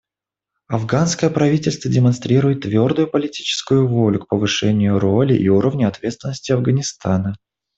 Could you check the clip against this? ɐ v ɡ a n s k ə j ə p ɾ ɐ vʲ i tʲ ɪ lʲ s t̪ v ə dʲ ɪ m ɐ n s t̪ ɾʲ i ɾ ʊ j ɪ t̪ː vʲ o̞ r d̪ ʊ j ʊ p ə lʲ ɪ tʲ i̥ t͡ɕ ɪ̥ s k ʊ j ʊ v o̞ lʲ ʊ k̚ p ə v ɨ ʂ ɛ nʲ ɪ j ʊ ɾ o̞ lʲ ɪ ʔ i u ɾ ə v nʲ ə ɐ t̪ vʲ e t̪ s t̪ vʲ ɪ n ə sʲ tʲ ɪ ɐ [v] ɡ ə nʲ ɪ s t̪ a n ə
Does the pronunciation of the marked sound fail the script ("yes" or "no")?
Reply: no